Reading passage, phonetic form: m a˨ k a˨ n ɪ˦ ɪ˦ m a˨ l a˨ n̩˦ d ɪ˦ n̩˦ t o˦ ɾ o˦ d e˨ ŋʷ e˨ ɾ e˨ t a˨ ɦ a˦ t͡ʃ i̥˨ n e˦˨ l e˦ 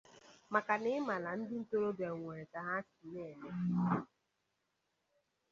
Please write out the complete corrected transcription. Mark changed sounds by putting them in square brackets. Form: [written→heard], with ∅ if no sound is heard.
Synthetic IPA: m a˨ k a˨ n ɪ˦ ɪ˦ m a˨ l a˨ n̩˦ d ɪ˦ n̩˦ t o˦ ɾ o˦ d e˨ ŋʷ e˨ ɾ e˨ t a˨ ɦ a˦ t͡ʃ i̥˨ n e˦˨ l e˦